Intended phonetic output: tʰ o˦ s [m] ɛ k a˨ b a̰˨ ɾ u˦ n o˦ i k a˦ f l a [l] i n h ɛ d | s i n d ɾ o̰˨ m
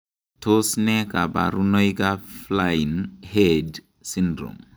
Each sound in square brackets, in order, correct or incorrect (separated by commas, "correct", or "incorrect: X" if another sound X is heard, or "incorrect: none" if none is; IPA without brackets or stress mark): incorrect: n, incorrect: none